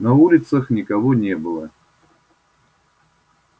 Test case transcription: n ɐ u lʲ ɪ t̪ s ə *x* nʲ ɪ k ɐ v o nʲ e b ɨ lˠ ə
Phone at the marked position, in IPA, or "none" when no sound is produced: x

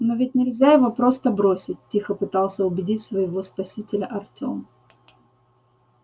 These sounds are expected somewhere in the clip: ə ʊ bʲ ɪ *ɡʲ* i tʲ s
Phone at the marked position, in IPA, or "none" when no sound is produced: dʲ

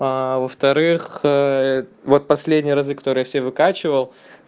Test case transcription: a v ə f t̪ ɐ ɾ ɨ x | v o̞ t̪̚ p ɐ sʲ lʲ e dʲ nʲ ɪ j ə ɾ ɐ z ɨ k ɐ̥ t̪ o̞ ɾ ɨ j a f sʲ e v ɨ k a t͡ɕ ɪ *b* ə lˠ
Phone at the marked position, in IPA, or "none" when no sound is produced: v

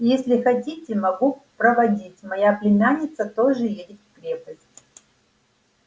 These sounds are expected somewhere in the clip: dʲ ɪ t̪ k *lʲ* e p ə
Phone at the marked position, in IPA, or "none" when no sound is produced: ɾʲ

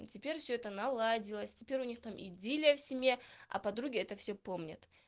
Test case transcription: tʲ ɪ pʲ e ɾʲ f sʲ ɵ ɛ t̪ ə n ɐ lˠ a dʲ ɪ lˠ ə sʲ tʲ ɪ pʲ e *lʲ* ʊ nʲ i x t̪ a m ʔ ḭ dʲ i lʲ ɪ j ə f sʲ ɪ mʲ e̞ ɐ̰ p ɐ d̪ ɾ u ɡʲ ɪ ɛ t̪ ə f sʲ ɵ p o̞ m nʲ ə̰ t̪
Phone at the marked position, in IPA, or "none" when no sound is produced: ɾʲ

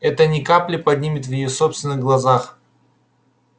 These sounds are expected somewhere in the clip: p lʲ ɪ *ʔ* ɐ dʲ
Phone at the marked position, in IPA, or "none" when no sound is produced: p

